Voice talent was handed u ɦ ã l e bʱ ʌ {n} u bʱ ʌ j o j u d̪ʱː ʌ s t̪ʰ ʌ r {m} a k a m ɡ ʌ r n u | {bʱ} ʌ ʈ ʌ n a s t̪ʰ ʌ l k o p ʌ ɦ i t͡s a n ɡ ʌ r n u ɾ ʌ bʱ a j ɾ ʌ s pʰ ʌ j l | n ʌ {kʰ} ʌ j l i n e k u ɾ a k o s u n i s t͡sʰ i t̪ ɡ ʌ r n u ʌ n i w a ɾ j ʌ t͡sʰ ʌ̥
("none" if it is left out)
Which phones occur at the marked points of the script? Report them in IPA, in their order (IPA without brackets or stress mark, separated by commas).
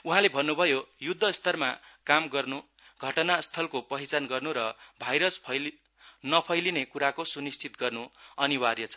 nː, m, ɡʱ, pʰ